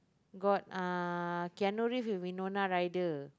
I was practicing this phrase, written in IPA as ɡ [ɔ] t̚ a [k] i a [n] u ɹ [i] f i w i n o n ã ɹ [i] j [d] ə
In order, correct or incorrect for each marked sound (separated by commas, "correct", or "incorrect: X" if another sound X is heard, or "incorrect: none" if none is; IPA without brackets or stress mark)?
correct, correct, correct, correct, incorrect: a, correct